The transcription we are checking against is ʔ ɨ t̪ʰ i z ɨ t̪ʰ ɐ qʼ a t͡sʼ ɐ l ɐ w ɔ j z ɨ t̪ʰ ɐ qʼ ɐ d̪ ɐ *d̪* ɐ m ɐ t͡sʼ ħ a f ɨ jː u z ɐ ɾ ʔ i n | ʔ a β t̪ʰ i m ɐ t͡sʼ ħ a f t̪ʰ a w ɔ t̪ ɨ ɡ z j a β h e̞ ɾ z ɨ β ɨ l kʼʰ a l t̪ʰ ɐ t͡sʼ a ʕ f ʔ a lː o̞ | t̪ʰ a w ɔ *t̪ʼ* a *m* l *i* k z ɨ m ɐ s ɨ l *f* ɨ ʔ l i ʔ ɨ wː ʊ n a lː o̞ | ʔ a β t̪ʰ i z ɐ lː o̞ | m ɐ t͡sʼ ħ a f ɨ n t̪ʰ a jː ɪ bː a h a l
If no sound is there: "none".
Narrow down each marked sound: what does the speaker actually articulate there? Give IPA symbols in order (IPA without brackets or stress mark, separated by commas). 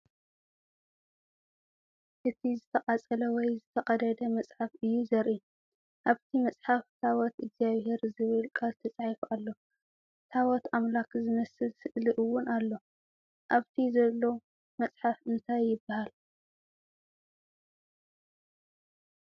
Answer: d̪, t̪, m, a, s